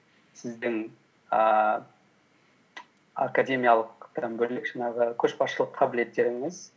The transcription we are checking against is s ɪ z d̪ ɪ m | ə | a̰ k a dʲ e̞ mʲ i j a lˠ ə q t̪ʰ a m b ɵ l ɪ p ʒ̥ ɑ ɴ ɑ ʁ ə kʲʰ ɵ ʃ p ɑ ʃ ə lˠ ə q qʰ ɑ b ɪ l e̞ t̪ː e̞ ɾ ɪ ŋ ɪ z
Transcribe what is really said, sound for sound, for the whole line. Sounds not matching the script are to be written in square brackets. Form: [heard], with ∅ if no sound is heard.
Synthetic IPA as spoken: s ɪ z d̪ ɪ [ŋ] | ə | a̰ k a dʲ e̞ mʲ i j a lˠ ə q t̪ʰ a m b ɵ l ɪ [k] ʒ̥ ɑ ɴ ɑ ʁ ə kʲʰ ɵ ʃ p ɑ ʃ ə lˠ ə q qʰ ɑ b ɪ l e̞ t̪ː e̞ ɾ ɪ ŋ ɪ z